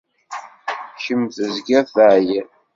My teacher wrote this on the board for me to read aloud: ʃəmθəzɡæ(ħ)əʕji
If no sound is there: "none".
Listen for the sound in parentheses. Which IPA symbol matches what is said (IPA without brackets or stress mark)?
θ